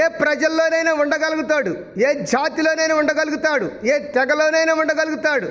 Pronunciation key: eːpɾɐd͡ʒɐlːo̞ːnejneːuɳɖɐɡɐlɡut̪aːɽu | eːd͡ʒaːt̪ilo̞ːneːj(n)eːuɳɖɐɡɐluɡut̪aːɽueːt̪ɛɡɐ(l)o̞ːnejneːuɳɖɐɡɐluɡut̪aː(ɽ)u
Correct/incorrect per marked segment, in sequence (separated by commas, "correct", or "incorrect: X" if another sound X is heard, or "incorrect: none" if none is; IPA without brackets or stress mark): correct, correct, correct